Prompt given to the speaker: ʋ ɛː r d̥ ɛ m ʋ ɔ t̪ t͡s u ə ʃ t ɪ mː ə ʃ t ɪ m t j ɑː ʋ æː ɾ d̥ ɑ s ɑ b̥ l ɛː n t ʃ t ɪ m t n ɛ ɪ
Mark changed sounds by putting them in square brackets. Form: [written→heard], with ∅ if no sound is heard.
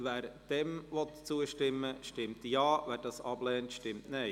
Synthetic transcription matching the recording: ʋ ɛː [r→ɾ] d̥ ɛ m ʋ ɔ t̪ t͡s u ə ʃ t ɪ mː ə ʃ t ɪ m t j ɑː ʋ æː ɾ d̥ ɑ s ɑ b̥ l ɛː n t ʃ t ɪ m t n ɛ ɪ